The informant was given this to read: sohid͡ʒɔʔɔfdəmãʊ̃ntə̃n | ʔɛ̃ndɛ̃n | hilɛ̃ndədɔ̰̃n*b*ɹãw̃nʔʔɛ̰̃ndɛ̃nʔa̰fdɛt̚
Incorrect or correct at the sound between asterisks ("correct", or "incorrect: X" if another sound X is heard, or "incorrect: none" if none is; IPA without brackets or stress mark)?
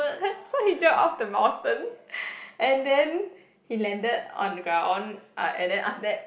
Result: incorrect: ɡ